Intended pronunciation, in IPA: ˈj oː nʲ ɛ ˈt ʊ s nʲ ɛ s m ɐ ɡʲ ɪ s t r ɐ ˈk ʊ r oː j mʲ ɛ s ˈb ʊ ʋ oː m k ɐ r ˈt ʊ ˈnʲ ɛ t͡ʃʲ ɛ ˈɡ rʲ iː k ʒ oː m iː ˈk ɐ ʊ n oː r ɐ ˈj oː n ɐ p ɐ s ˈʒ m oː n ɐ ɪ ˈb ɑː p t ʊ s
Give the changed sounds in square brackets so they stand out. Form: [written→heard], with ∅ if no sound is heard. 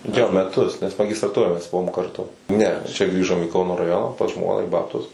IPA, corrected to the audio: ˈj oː [nʲ→mʲ] ɛ ˈt ʊ s nʲ ɛ s m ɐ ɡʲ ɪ s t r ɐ [ˈk→ˈt] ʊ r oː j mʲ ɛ s ˈb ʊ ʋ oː m k ɐ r ˈt ʊ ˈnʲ ɛ t͡ʃʲ ɛ ˈɡ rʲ iː [k→∅] ʒ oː m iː ˈk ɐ ʊ n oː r ɐ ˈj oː n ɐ p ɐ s ˈʒ m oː n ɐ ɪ ˈb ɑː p t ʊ s